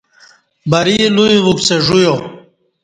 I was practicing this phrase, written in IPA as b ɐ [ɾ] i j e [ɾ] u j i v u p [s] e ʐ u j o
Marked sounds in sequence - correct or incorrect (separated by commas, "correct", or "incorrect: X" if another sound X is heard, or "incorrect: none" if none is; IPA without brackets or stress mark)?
correct, incorrect: l, correct